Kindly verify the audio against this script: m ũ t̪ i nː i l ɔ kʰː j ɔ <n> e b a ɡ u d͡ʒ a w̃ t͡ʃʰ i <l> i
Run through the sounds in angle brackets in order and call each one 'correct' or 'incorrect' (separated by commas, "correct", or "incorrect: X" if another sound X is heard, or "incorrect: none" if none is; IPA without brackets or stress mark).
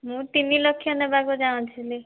correct, correct